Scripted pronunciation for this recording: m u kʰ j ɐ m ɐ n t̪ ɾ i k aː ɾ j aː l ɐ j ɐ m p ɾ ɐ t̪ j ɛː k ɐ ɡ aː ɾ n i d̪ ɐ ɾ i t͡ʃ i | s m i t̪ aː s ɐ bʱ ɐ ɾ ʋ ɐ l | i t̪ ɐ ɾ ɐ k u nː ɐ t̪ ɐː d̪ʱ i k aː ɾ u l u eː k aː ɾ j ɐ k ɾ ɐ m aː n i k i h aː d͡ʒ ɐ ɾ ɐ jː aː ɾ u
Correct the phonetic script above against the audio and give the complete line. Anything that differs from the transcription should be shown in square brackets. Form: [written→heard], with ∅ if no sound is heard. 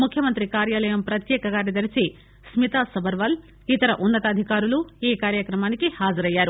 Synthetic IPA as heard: m u kʰ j ɐ m ɐ n t̪ ɾ i k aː ɾ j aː l ɐ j ɐ m p ɾ ɐ t̪ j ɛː k ɐ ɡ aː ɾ n i d̪ ɐ ɾ i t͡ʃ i | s m i t̪ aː s ɐ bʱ ɐ ɾ ʋ ɐ l | i t̪ ɐ ɾ ɐ [k→ʔ] u nː ɐ t̪ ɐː d̪ʱ i k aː ɾ u l u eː k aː ɾ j ɐ k ɾ ɐ m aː n i k i h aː d͡ʒ ɐ ɾ ɐ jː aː ɾ u